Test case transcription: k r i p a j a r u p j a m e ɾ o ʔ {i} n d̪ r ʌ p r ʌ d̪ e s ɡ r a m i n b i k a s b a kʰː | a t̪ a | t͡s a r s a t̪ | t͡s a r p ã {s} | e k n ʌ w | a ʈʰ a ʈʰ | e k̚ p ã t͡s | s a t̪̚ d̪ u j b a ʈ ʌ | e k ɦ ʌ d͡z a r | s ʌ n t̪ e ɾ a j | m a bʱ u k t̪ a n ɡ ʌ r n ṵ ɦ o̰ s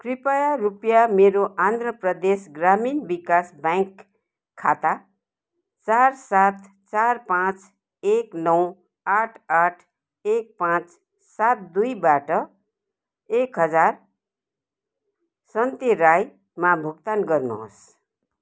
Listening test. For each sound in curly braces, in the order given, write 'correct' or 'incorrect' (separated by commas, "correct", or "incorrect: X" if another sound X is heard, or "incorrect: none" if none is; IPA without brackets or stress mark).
incorrect: a, incorrect: t͡s